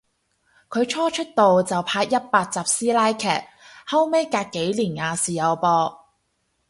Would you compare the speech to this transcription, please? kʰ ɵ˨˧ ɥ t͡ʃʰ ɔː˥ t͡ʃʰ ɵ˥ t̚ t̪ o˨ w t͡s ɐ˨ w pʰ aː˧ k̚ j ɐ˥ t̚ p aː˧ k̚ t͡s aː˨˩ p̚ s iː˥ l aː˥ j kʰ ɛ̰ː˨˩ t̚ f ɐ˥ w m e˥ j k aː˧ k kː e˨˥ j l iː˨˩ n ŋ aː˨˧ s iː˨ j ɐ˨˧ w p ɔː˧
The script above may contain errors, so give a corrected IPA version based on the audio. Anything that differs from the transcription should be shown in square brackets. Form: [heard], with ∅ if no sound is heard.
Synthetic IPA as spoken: kʰ ɵ˨˧ ɥ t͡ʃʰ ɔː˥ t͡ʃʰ ɵ˥ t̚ t̪ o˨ w t͡s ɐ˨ w pʰ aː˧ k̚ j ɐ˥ t̚ p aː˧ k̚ t͡s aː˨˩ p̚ s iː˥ l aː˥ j kʰ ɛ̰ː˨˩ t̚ [h] ɐ˥ w m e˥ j k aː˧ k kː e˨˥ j l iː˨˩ n ŋ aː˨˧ s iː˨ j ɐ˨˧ w p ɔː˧